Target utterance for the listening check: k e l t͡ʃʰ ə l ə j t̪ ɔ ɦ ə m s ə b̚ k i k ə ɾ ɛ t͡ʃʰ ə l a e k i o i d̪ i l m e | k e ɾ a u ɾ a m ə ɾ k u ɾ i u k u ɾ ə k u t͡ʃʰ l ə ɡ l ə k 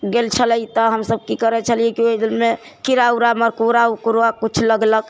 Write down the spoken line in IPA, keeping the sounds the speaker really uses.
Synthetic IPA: ɡ e l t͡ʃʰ ə l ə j t̪ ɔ ɦ ə m s ə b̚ k i k ə ɾ ɛ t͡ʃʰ ə l i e k i o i d̪ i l m e | k i ɾ a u ɾ a m ə ɾ k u ɾ a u k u ɾ a k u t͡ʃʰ l ə ɡ l ə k